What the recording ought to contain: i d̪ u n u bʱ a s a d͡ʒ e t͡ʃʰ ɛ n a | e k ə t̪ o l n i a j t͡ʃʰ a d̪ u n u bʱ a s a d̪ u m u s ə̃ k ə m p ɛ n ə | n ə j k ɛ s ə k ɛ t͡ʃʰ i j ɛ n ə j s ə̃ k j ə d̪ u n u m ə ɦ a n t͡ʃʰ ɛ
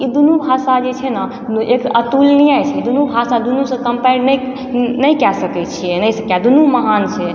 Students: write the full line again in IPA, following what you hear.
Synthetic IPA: i d̪ u n u bʱ a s a d͡ʒ e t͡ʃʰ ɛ n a | e k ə t̪ u l n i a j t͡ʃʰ ɛ d̪ u n u bʱ a s a d̪ u n u s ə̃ k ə m p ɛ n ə | n ə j k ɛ s ə k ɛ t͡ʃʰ i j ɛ n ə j s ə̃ k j a d̪ u n u m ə ɦ a n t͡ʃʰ ɛ